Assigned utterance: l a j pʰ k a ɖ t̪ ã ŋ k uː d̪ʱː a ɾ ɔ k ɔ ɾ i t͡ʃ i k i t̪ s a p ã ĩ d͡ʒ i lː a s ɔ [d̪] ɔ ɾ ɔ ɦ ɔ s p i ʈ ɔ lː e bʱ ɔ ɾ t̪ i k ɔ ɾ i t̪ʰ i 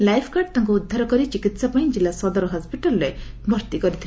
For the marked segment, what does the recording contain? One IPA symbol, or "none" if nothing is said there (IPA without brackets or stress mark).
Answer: d̪